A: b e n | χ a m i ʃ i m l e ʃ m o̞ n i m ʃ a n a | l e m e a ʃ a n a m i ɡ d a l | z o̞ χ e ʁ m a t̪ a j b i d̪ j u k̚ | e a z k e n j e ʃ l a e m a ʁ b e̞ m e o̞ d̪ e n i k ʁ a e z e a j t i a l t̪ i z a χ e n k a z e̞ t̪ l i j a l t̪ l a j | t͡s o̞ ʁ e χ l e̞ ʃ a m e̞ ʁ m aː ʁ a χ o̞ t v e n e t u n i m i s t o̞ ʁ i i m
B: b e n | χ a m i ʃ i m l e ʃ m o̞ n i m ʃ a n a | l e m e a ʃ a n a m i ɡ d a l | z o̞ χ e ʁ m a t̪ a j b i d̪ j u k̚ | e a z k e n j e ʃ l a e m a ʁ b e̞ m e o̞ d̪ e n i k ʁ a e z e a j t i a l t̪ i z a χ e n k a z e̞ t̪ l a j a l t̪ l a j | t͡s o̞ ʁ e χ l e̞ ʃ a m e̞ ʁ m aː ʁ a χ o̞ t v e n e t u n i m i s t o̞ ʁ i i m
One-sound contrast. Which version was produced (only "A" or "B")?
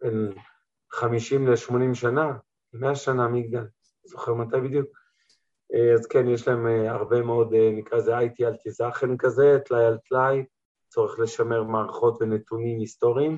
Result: B